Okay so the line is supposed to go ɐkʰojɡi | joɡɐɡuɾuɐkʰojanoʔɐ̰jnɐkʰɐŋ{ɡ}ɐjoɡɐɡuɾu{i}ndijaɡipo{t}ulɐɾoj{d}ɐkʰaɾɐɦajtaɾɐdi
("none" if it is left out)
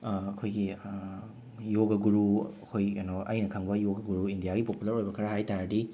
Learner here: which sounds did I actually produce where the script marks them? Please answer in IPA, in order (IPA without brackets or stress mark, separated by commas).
b, i, p, b